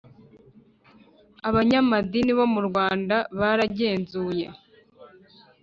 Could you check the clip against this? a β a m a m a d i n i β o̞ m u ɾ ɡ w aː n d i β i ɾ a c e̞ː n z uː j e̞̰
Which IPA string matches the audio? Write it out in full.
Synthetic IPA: a β a ɲ a m a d i n i β o̞ m u ɾ ɡ w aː n d a β a ɾ a ɟ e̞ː n z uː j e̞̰

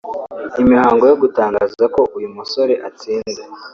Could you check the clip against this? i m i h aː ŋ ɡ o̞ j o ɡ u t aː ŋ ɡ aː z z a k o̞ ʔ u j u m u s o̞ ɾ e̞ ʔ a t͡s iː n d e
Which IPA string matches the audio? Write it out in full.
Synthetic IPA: i m i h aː ŋ ɡ o̞ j o ɡ u t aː ŋ ɡ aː z z a k o̞ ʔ u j u m u s o̞ ɾ e̞ ʔ a t͡s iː n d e

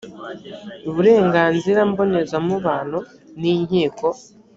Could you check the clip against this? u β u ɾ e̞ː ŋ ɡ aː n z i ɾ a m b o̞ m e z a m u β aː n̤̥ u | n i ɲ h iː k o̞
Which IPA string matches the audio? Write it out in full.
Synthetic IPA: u β u ɾ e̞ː ŋ ɡ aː n z i ɾ a m b o̞ n e z a m u β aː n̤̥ u | n i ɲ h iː k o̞

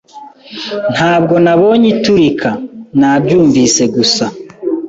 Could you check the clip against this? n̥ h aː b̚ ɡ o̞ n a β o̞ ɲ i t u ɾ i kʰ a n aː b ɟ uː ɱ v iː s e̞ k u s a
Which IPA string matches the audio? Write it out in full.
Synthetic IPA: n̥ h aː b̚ ɡ o̞ n a β o̞ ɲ i t u ɾ i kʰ a n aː b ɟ uː ɱ v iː s e̞ ɡ u s a

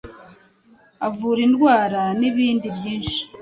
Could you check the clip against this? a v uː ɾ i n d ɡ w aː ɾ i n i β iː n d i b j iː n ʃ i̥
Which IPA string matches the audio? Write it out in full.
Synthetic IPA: a v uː ɾ i n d ɡ w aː ɾ a n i β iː n d i b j iː n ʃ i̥

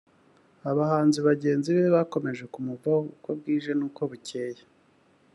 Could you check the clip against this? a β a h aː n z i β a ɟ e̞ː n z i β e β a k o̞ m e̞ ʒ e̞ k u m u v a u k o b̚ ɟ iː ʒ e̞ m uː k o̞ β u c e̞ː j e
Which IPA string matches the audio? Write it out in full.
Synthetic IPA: a β a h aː n z i β a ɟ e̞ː n z i β e β a k o̞ m e̞ ʒ e̞ k u m u v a u k o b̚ ɡ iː ʒ e̞ n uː k o̞ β u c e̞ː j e

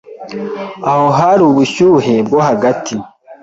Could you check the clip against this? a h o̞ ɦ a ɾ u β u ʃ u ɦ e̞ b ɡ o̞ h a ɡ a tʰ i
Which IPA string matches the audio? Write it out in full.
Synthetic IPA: a h o̞ ɦ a ɾ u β u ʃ u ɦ e̞ b ɡ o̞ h a ɡ a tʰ i

